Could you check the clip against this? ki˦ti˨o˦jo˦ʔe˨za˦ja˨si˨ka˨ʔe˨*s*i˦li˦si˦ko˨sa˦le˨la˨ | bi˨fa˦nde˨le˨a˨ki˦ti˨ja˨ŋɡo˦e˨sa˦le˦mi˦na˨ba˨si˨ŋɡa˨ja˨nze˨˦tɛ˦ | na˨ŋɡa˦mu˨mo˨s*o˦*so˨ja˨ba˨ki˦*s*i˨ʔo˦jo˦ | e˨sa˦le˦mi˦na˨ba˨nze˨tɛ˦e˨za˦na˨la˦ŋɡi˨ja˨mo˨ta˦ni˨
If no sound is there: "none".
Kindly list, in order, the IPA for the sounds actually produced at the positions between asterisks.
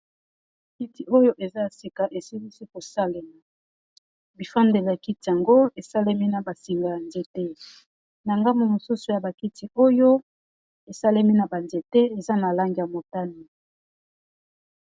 s, u˦, t

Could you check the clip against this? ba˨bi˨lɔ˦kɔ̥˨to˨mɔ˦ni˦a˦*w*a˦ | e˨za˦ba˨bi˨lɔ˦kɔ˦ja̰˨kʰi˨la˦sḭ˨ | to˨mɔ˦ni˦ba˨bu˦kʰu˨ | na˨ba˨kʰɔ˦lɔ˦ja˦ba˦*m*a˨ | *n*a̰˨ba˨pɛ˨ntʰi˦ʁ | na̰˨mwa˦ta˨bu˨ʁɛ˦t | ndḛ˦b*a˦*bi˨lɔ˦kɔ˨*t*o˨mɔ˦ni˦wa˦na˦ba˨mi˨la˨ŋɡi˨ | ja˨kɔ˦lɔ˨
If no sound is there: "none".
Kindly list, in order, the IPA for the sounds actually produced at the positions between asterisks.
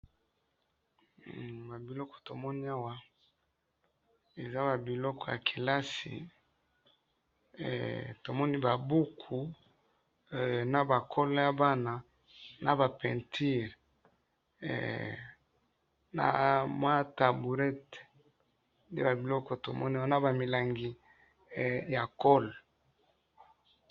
w, n, n, a˨, t

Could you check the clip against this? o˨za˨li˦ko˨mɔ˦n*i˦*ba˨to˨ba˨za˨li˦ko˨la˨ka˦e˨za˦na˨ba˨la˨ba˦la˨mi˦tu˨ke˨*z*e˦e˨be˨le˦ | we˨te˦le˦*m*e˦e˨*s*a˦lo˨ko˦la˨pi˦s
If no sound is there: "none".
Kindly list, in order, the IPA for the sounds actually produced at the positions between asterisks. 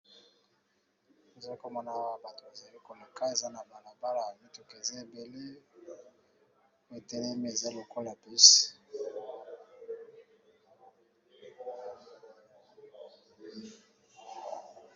a˦, z, m, z

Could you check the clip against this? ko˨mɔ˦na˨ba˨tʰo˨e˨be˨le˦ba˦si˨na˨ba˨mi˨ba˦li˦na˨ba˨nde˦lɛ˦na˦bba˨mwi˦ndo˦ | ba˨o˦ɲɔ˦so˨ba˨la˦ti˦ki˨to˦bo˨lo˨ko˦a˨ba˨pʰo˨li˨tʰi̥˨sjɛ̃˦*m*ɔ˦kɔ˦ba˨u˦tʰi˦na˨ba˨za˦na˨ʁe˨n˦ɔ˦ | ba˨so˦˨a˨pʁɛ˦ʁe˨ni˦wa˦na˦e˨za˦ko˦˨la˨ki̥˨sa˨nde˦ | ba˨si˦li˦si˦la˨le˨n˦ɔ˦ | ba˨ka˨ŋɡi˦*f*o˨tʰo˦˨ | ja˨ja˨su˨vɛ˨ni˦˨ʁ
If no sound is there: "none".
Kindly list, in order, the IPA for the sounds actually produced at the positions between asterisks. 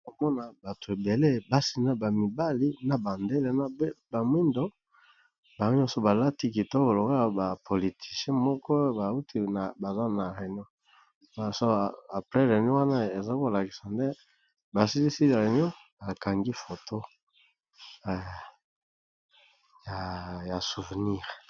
m, f

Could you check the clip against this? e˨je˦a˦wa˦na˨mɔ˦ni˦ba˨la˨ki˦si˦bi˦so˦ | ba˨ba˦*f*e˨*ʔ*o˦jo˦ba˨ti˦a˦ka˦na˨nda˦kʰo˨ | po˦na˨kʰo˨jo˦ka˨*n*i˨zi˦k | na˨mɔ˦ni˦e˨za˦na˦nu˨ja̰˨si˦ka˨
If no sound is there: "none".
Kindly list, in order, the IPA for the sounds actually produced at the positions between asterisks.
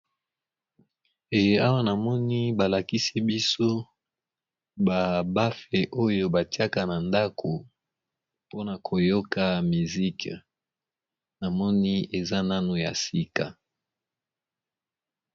f, ʔ, m

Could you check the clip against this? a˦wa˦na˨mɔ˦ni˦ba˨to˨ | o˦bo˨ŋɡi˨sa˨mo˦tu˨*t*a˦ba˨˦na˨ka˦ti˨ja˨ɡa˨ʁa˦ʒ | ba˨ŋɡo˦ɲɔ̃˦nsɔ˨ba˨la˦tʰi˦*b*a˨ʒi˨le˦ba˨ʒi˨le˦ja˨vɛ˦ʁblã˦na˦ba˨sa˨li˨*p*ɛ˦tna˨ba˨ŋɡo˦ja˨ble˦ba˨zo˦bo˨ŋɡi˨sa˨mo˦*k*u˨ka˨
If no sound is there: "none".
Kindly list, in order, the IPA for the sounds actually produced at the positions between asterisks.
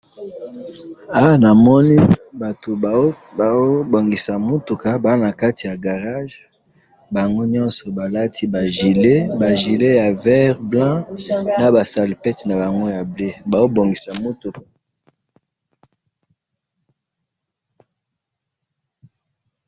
k, b, p, t

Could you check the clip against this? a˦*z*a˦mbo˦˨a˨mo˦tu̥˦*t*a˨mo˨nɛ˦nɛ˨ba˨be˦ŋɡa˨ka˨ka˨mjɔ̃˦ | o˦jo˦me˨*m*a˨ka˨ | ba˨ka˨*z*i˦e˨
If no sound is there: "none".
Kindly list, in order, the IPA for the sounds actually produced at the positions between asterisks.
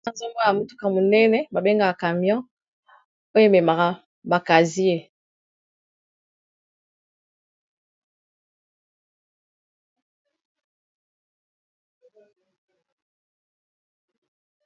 z, k, m, z

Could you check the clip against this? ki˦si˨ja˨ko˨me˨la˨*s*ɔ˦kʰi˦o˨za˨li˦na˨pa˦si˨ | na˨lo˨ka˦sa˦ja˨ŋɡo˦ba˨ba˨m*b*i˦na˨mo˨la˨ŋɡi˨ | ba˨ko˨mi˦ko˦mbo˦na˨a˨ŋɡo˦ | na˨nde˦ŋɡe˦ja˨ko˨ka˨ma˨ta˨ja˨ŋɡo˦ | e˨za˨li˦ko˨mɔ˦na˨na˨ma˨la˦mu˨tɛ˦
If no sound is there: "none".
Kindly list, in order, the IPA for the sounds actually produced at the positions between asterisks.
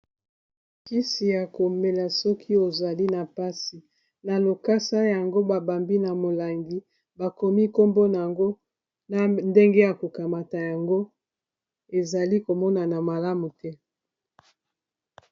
s, b

